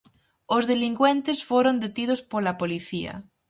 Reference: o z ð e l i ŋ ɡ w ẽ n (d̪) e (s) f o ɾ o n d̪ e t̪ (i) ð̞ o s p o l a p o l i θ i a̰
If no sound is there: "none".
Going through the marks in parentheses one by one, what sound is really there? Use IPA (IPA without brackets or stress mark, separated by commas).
t̪, s, i